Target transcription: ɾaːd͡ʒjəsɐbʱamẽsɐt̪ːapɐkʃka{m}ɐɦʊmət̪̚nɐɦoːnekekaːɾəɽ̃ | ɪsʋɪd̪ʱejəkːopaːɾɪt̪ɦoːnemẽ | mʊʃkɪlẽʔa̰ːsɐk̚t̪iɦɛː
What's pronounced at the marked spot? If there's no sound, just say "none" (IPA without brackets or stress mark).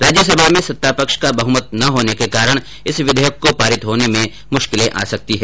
b